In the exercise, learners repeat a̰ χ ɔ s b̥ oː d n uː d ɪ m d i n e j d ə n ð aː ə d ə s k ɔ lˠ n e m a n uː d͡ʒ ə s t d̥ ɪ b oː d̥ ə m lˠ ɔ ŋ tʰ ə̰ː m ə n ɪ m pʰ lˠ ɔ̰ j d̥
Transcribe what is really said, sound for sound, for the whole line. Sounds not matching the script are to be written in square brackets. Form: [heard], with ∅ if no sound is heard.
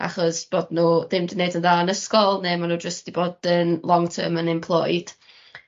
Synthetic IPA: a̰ χ ɔ s b̥ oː d n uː d ɪ m d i n e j d ə n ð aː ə [n] ə s k ɔ lˠ n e m a n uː d͡ʒ ə s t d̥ [i] b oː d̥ ə [n] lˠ ɔ ŋ tʰ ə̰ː m ə n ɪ m pʰ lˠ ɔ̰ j d̥